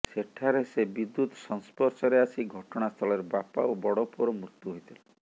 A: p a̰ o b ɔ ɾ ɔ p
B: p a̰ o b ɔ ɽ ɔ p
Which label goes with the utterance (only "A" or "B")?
B